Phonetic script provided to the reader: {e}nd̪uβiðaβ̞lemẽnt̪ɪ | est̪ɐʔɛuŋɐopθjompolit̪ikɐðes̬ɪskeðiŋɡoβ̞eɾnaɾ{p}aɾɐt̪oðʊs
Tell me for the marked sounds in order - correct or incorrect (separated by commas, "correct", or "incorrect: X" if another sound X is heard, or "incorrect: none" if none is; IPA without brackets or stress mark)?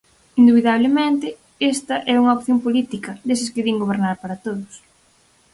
incorrect: i, correct